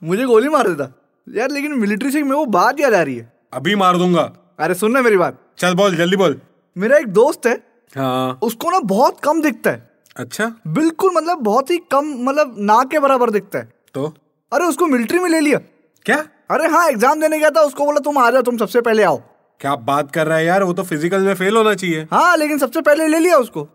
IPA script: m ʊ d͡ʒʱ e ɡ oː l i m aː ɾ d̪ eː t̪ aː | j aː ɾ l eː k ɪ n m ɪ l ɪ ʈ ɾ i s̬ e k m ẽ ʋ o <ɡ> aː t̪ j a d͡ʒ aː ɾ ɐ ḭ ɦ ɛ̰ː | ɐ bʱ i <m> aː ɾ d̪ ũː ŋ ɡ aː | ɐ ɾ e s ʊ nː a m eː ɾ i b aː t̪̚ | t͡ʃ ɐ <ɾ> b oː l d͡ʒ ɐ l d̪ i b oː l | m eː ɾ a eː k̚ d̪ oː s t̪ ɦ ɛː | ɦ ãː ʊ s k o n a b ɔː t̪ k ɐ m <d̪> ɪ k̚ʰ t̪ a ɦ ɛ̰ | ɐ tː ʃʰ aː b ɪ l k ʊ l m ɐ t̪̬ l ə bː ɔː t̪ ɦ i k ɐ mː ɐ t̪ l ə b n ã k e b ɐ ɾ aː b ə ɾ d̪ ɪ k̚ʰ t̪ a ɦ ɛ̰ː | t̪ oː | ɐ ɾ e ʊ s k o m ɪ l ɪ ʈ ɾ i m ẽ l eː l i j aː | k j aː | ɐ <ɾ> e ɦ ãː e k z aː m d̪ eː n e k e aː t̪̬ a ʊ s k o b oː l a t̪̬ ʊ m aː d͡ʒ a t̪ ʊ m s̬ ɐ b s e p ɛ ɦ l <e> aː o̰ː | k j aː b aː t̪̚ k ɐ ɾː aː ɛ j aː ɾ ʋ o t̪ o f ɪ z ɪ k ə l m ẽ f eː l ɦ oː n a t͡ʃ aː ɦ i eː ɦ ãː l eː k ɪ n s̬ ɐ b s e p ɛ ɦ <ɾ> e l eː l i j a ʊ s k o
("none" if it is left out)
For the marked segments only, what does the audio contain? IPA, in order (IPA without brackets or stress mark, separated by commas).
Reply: b, m, l, d̪, ɾ, e, l